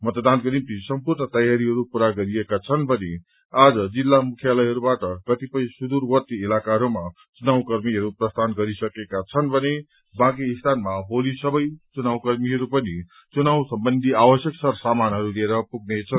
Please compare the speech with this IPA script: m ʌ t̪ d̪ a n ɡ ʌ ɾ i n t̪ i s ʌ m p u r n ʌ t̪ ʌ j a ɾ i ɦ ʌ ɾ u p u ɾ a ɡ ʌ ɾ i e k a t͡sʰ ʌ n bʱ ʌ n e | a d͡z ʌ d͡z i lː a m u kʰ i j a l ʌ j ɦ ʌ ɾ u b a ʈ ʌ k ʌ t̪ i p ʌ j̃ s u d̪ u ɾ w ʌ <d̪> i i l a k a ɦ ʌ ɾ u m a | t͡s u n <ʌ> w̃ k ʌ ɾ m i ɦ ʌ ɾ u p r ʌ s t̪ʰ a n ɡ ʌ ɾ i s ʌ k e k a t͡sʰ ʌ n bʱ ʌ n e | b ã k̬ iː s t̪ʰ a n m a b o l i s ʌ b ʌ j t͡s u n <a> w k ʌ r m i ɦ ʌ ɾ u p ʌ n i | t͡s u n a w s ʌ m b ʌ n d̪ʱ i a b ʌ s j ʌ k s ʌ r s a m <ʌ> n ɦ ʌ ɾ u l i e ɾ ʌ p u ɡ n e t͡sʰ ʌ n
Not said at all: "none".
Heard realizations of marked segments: t̪, a, a, a

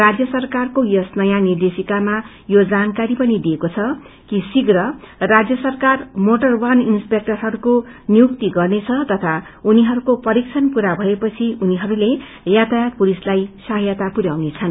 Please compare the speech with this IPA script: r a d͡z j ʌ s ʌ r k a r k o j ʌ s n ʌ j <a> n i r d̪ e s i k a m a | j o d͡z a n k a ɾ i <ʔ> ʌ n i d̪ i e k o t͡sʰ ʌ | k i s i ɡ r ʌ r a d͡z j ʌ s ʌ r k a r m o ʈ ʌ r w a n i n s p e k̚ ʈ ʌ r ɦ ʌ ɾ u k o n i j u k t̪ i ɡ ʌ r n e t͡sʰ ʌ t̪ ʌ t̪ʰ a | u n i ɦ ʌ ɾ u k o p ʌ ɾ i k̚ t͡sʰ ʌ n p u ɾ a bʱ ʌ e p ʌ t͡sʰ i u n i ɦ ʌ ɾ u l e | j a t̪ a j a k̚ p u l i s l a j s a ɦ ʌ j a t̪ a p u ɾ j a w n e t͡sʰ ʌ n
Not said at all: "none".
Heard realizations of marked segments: a, p

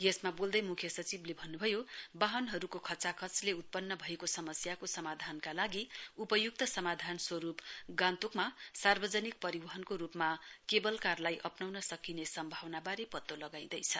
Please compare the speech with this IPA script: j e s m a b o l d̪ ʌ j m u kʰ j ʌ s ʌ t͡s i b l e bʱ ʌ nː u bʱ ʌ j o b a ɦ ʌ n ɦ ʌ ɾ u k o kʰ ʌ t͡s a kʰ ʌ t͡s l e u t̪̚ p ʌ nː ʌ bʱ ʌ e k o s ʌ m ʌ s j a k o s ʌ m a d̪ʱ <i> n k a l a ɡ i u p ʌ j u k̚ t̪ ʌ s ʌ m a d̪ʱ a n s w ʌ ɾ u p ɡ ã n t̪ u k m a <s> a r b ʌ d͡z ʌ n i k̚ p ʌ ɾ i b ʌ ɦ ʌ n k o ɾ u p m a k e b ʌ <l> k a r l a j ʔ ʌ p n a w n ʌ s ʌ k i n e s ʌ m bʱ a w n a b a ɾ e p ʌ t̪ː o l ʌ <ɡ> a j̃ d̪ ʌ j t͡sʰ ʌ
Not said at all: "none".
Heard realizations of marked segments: a, s, l, ɡ

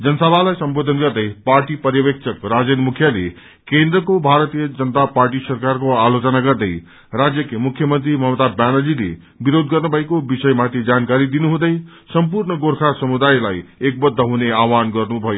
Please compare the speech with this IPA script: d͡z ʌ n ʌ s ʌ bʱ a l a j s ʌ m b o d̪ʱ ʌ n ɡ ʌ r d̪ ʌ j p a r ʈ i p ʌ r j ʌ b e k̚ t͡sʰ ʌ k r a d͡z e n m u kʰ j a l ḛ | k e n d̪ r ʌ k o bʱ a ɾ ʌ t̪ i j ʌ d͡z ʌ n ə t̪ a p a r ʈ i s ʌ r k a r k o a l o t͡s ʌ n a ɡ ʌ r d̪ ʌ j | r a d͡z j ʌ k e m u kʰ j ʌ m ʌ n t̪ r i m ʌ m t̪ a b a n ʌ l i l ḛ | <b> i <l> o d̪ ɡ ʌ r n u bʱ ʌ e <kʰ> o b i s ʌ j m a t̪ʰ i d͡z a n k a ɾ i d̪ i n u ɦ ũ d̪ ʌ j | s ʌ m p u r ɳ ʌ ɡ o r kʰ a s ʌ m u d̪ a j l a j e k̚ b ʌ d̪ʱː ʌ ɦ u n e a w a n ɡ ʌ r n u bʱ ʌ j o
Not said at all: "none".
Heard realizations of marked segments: b, ɾ, k

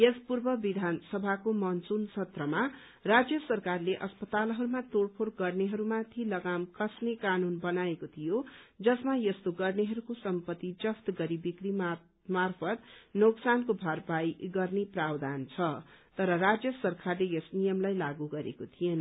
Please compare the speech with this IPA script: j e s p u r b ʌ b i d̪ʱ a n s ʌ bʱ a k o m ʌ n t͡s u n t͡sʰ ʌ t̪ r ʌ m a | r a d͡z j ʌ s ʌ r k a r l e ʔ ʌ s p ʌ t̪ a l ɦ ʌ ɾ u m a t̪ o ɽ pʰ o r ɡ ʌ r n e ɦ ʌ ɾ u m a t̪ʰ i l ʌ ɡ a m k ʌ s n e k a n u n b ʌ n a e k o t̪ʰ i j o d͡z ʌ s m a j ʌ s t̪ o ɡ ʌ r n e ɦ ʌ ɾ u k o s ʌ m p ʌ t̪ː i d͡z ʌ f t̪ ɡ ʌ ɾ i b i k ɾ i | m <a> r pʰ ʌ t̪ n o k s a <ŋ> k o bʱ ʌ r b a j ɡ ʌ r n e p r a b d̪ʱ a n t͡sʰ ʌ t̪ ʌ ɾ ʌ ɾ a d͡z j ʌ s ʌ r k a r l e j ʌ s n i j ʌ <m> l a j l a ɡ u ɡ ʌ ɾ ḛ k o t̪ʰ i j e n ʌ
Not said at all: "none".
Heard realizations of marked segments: a, n, m

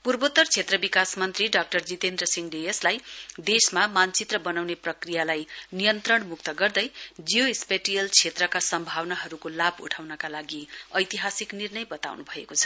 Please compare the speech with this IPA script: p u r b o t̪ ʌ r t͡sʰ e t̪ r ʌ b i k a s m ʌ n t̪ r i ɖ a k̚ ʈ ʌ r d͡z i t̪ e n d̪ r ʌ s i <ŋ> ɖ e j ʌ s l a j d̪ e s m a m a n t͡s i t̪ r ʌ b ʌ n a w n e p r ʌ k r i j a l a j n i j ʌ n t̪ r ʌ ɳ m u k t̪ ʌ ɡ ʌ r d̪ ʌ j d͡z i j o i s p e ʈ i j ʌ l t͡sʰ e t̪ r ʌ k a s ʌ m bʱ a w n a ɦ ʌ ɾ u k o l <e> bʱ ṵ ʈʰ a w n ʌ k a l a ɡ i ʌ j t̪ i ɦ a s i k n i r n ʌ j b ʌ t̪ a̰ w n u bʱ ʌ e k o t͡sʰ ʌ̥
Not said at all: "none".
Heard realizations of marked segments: ŋ, a

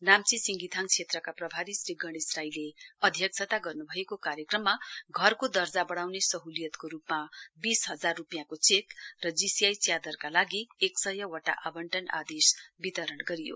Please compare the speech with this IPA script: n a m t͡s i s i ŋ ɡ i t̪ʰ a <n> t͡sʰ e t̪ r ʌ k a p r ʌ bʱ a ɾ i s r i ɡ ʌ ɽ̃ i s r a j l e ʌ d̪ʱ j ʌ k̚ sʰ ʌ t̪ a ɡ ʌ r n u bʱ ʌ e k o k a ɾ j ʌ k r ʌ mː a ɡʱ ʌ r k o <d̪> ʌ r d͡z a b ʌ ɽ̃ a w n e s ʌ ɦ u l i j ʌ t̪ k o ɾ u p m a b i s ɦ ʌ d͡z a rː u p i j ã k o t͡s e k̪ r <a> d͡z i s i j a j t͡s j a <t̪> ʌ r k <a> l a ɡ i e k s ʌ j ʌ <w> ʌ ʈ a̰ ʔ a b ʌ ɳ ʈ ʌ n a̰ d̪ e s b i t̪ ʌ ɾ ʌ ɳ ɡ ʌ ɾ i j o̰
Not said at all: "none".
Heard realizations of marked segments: ŋ, d̪, ʌ, d̪, a, w

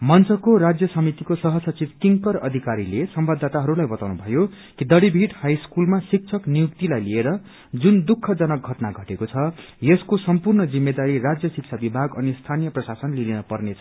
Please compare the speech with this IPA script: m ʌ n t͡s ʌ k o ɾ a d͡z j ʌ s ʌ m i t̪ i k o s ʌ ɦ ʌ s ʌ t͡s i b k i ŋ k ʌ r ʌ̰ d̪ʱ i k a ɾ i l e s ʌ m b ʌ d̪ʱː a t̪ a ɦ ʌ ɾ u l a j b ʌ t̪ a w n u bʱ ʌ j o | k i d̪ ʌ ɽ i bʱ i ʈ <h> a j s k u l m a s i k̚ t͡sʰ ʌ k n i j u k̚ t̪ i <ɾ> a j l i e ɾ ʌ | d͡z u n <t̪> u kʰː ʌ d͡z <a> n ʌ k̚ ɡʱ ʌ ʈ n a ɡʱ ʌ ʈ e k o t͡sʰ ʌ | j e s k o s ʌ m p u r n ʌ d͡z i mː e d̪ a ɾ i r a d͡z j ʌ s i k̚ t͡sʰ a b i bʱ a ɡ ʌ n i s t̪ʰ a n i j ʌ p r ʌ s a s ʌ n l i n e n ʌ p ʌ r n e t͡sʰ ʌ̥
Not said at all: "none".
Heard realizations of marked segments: h, l, d̪, ʌ

